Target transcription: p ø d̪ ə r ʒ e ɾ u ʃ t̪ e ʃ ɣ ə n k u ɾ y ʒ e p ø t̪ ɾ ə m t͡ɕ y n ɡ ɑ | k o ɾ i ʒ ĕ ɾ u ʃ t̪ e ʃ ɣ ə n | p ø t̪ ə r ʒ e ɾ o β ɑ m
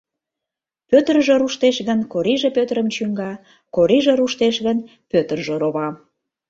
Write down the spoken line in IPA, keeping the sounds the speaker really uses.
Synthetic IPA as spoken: p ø t̪ ə r ʒ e ɾ u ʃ t̪ e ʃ ɣ ə n k o ɾ i ʒ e p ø t̪ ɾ ə m t͡ɕ y ŋ ɡ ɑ | k o ɾ i ʒ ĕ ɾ u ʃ t̪ e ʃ ɣ ə n | p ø t̪ ə r ʒ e ɾ o β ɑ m